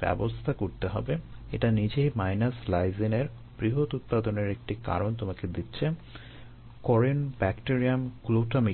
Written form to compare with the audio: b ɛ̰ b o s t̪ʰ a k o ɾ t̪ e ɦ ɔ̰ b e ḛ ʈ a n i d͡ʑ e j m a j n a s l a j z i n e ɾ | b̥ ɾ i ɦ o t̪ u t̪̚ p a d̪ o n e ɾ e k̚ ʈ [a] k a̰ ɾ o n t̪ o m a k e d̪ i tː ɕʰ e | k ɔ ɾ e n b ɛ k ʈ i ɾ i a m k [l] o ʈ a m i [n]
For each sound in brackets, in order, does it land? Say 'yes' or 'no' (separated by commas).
no, yes, no